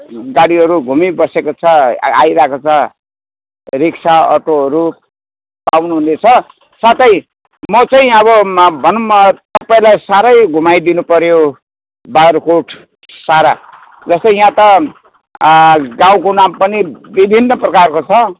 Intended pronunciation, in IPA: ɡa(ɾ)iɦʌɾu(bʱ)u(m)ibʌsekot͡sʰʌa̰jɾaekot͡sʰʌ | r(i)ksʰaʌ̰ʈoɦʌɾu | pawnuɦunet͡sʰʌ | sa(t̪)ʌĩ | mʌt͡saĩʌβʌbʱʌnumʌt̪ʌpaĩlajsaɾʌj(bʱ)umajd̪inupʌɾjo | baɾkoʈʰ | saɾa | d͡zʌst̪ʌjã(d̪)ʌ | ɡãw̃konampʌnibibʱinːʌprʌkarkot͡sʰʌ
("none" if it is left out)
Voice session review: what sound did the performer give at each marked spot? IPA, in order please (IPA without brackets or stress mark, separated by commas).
ɽ, ɡʱ, m, i, t̪, ɡʱ, t̪